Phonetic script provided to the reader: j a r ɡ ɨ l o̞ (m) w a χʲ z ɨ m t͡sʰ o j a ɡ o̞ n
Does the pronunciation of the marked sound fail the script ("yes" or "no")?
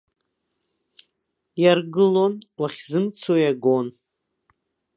yes